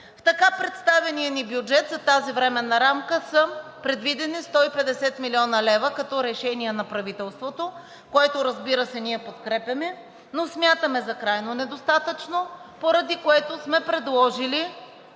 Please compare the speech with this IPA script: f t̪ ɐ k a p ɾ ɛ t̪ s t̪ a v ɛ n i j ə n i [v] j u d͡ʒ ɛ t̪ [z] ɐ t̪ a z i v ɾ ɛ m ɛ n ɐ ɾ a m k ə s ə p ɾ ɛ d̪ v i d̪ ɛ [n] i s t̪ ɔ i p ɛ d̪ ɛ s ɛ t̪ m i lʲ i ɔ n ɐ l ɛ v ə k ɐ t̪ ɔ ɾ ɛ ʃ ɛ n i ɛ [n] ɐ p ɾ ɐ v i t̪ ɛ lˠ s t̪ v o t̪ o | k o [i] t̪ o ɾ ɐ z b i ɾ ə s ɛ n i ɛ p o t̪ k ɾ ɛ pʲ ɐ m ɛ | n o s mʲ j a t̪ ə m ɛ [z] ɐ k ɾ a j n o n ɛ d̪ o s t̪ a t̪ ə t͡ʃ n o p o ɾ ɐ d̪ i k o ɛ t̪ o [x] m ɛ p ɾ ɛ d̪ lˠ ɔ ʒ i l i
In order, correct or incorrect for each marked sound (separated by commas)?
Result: incorrect, correct, correct, correct, incorrect, correct, incorrect